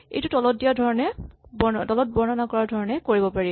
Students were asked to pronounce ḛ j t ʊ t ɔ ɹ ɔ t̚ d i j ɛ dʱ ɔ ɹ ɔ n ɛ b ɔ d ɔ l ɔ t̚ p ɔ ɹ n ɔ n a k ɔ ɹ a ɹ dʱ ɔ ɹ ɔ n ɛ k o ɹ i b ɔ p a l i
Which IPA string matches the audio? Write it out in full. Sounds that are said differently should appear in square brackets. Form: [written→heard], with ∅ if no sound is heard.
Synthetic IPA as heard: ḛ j t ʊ t ɔ [ɹ→l] ɔ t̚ d i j [ɛ→a] dʱ ɔ ɹ ɔ n ɛ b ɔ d ɔ l ɔ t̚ [p→b] ɔ ɹ n ɔ n a k ɔ ɹ a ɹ dʱ ɔ ɹ ɔ n ɛ k o ɹ i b ɔ p a [l→ɹ] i